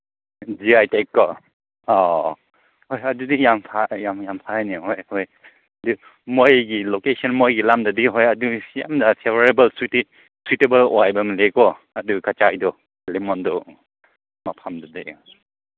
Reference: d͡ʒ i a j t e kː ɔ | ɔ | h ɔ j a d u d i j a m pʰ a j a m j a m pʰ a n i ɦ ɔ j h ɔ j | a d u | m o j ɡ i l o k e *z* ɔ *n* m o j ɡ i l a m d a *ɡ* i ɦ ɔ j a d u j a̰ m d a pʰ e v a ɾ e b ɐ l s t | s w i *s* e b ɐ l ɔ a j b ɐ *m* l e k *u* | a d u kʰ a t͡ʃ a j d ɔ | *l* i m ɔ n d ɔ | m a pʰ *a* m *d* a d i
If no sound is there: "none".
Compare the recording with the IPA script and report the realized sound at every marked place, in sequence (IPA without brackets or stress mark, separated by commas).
s, n, d, t, m, ɔ, l, a, d